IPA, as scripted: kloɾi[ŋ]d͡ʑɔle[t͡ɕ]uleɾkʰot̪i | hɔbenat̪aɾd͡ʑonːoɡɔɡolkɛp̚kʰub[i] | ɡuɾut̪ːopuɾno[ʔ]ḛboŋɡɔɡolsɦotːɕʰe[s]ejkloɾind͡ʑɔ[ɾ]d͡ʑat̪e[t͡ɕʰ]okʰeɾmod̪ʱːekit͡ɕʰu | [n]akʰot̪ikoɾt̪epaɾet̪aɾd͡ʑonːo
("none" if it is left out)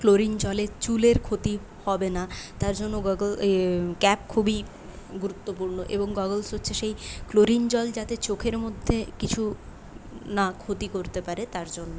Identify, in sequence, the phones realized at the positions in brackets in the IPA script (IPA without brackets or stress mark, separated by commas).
n, t͡ɕ, i, ʔ, ʃ, l, t͡ɕ, n